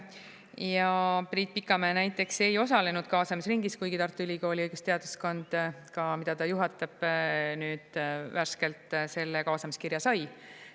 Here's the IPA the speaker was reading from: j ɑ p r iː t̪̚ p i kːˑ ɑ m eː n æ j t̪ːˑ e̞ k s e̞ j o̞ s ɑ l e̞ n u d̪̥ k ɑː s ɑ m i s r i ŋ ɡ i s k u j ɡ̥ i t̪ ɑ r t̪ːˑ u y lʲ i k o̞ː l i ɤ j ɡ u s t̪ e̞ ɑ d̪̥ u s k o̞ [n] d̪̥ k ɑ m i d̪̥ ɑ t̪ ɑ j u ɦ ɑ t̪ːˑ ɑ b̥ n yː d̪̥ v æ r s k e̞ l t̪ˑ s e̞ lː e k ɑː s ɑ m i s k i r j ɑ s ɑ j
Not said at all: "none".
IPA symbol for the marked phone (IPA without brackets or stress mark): n